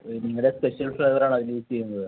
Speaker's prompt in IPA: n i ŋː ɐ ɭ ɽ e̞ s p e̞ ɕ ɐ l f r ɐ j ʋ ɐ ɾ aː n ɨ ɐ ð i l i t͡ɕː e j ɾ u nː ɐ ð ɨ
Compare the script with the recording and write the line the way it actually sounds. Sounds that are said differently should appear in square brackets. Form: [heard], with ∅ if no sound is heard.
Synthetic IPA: n i ŋː ɐ ɭ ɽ e̞ s p e̞ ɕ ɐ l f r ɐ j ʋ ɐ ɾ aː [ɳ] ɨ ɐ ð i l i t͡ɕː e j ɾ u nː ɐ ð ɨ